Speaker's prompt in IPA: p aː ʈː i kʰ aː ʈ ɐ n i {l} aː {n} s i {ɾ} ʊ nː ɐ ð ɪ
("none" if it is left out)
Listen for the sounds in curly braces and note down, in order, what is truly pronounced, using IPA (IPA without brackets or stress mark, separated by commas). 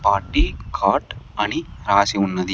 ɾ, none, none